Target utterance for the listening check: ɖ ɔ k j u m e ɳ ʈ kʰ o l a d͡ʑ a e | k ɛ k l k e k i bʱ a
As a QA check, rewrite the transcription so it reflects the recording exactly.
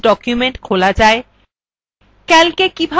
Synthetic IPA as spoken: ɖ ɔ k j u m e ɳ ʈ kʰ o l a d͡ʑ a e | k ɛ l k e k i bʱ a